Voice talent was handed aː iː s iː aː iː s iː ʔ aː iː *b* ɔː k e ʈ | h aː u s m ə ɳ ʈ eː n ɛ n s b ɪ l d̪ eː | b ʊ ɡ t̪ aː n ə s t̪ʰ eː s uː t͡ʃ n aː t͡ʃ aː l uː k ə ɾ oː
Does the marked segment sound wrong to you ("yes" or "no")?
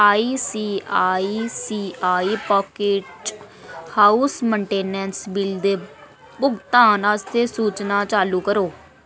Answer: yes